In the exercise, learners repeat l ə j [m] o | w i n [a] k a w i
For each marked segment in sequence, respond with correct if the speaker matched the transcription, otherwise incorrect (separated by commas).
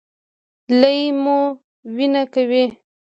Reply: correct, correct